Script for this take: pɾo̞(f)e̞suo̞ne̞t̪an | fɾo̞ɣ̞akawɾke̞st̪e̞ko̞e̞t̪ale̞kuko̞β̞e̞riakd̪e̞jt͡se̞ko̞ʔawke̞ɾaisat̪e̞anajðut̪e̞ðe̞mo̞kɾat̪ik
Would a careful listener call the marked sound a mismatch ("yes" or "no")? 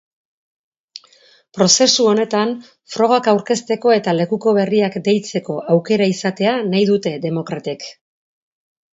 yes